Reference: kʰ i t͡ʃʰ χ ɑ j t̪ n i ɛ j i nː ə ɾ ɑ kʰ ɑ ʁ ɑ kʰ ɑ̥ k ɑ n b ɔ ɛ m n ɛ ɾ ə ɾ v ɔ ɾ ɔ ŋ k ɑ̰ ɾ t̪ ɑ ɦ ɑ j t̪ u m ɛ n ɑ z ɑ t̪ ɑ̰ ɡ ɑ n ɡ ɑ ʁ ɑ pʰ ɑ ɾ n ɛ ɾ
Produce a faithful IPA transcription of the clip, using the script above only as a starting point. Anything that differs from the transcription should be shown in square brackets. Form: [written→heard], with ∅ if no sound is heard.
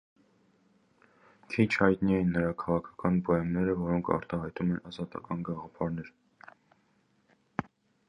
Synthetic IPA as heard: kʰ i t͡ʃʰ [χ→h] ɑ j t̪ n i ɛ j i nː ə ɾ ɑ kʰ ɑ ʁ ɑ kʰ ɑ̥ k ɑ n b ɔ ɛ m n ɛ ɾ ə [ɾ→∅] v ɔ ɾ ɔ ŋ [k→kʰ] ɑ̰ ɾ t̪ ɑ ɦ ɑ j t̪ u m ɛ n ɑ z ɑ t̪ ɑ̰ [ɡ→k] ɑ n ɡ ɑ ʁ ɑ pʰ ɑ ɾ n ɛ ɾ